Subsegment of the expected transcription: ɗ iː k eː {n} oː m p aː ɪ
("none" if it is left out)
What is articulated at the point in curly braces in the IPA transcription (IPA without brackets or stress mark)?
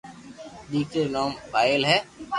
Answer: n